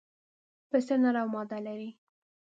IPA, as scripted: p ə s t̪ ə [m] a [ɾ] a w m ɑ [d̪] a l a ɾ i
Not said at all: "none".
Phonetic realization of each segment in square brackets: n, ɾ, d̪

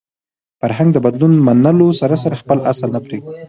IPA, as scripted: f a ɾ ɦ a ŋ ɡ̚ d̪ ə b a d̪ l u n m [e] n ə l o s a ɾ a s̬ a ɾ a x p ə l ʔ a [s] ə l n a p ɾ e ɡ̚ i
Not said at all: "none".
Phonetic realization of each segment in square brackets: a, s

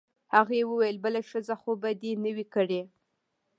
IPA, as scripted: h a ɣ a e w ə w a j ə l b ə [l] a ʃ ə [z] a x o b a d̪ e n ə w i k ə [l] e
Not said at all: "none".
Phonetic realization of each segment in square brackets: l, z, ɽ

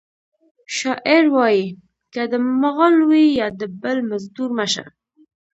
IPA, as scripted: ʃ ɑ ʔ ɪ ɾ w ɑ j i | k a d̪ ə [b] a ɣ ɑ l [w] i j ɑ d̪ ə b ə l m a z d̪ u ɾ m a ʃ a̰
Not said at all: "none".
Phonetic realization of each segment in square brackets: m, w

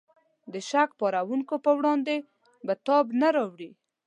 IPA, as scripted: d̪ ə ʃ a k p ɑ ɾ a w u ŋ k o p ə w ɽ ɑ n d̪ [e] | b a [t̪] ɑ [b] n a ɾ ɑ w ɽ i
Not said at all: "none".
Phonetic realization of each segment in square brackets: e, t̪, b

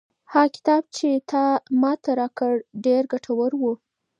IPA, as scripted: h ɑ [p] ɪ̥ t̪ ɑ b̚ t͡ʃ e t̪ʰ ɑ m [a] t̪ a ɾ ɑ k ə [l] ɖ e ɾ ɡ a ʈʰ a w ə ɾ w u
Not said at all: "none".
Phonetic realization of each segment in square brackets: k, ɑ, ɽ

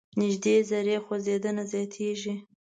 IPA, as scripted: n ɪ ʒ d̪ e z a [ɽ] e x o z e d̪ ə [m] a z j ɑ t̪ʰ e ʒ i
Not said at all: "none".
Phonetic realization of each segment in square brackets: ɾ, n

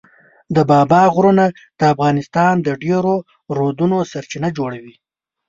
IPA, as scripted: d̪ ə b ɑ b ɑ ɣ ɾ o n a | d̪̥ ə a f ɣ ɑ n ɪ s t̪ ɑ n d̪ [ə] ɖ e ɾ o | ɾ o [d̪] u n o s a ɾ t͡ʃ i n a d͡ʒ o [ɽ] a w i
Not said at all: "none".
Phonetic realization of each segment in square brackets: ə, d̪, ɽ

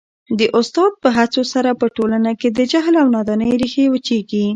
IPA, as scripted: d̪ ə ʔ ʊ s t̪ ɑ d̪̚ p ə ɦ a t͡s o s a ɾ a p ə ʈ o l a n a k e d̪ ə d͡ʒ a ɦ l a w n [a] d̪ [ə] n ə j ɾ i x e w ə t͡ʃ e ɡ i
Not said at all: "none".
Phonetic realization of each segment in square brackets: ɑ, ɑ

